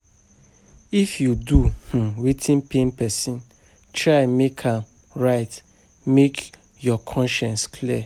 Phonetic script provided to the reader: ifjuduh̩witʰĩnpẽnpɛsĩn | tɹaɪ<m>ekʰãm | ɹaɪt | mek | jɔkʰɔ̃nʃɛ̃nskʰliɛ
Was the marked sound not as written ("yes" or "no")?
no